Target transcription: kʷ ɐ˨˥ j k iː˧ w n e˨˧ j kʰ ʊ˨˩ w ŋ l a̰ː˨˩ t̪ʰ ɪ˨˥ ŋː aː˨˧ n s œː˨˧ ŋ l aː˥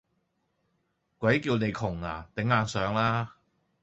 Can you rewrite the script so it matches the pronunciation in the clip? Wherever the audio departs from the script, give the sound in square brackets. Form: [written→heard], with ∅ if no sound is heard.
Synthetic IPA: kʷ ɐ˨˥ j k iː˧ w n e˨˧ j kʰ ʊ˨˩ [w→∅] ŋ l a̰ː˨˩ [t̪ʰ→t̪] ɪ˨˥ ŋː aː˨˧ n s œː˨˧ ŋ l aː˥